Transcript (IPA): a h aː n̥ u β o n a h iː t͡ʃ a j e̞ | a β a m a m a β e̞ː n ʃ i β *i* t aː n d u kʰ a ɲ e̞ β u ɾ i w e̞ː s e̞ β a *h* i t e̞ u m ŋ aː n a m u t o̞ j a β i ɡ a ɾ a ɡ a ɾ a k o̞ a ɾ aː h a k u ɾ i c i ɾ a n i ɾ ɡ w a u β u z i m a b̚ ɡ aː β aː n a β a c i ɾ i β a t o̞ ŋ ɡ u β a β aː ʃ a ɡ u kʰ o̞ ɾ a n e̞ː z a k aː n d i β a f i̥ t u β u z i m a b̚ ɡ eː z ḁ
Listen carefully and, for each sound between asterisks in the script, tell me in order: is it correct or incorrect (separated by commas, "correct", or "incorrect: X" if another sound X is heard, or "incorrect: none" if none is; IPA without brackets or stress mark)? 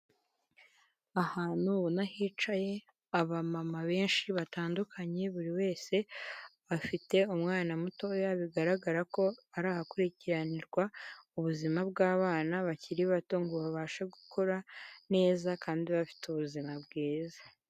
incorrect: a, incorrect: f